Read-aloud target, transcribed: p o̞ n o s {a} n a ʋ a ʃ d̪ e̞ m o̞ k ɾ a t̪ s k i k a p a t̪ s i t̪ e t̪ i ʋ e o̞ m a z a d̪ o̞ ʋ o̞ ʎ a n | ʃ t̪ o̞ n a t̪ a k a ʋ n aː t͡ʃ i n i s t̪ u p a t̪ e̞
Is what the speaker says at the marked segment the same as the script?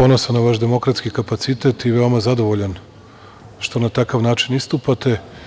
yes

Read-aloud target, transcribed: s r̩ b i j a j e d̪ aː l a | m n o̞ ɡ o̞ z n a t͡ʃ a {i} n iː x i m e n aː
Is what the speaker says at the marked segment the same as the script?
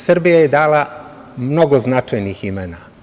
no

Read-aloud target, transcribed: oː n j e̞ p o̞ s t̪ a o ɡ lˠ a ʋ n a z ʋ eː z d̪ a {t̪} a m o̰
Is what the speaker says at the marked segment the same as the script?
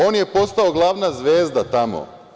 yes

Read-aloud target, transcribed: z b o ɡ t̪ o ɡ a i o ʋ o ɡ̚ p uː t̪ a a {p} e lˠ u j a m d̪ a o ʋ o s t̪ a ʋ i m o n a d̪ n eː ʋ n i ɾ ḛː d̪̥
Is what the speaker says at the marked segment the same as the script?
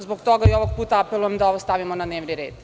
yes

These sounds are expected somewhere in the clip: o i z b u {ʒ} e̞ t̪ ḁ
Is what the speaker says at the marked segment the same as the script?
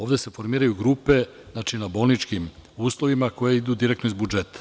no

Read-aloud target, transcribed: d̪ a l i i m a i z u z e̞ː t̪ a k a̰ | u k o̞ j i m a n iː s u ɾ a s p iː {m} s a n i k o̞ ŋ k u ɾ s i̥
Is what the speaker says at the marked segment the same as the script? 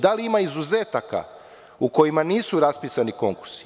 no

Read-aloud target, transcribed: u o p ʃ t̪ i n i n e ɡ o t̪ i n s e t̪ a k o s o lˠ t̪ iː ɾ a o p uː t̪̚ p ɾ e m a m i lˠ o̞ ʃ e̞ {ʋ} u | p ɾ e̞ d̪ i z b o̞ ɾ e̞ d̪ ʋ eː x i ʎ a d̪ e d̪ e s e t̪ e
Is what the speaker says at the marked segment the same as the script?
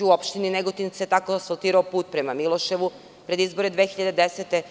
yes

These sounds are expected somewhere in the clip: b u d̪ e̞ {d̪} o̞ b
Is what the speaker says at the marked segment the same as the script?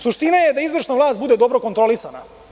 yes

